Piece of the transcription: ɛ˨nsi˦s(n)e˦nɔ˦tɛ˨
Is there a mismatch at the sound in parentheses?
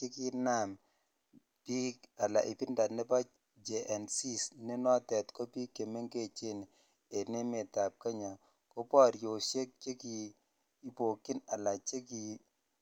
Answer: no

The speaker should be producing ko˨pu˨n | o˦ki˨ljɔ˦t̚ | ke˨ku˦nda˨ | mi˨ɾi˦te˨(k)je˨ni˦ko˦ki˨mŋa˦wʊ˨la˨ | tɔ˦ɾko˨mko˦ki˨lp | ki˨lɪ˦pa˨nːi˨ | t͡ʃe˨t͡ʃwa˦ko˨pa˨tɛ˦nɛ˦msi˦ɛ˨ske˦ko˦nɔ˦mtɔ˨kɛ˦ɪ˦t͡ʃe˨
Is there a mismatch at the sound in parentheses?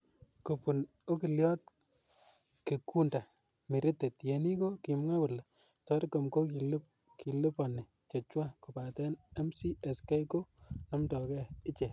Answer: yes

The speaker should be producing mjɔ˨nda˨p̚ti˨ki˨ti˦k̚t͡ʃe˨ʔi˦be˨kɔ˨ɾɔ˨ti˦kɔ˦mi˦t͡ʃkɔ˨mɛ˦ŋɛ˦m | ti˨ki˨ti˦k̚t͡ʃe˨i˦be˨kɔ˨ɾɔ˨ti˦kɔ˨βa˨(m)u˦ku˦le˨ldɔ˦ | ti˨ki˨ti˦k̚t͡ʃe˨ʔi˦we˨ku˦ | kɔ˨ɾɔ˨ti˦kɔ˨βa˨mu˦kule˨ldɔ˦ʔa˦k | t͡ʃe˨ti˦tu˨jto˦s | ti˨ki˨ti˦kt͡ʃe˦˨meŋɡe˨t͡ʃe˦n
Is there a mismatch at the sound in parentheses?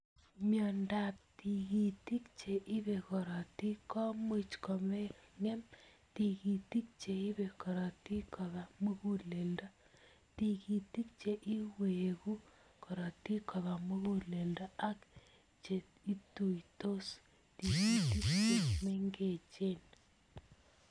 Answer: no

